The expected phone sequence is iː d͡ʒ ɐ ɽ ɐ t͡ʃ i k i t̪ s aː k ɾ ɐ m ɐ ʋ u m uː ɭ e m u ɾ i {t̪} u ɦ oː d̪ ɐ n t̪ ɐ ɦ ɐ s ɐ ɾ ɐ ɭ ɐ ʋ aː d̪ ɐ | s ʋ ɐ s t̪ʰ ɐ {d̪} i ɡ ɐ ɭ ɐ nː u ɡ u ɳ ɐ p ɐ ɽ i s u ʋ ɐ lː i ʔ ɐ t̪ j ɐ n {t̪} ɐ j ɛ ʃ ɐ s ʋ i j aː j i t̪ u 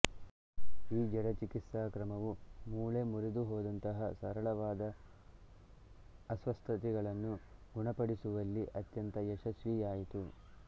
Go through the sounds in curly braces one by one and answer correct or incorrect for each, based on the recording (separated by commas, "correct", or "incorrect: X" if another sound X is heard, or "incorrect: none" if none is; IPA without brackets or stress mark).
incorrect: d̪, incorrect: t̪, correct